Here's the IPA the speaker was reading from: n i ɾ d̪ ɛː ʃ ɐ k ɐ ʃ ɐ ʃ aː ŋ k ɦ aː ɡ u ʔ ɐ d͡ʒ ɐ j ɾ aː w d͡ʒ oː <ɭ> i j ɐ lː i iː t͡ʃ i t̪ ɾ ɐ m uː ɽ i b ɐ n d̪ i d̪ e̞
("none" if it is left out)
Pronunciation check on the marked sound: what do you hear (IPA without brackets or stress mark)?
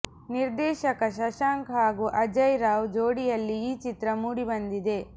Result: ɽ